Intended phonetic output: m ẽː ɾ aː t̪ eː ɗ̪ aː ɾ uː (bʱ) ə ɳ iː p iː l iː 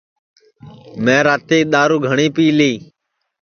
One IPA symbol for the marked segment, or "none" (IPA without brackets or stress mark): ɡʱ